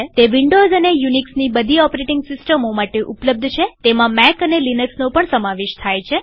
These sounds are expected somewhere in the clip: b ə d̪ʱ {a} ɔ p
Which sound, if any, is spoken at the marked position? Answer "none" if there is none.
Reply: i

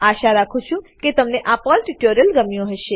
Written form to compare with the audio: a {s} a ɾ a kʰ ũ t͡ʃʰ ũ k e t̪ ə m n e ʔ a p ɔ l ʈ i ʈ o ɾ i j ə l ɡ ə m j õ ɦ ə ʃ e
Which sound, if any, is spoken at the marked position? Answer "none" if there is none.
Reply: ʃ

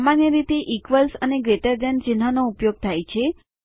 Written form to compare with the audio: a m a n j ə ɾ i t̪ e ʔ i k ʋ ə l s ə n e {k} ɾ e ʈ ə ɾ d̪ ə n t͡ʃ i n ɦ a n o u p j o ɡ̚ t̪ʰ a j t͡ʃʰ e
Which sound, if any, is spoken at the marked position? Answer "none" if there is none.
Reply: ɡ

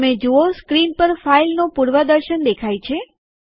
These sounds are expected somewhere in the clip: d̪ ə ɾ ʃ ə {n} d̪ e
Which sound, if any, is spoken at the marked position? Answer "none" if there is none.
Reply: n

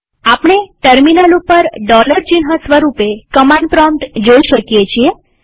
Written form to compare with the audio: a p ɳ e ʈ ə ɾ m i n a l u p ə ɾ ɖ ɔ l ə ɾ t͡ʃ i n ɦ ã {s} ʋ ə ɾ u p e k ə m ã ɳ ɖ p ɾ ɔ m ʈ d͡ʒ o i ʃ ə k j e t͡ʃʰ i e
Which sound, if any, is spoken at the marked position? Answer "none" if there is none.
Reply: s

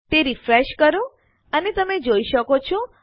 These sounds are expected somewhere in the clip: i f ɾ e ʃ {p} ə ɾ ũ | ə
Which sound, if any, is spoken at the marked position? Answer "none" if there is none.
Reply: k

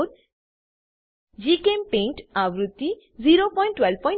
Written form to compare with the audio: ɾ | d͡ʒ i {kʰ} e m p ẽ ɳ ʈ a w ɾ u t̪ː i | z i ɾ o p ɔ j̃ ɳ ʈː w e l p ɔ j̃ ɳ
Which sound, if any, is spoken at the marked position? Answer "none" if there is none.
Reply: k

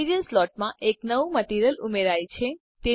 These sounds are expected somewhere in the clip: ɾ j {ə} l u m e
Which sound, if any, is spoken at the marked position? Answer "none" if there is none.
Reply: ə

